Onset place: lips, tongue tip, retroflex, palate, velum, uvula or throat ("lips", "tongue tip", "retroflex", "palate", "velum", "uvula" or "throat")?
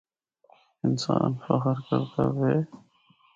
tongue tip